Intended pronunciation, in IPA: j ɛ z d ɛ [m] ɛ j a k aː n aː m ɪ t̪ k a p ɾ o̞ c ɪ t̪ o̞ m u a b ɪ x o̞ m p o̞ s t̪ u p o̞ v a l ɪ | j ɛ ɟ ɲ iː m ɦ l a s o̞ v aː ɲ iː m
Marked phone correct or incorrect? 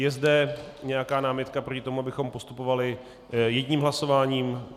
incorrect: ɲ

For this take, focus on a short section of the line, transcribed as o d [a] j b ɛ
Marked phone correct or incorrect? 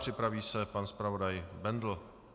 correct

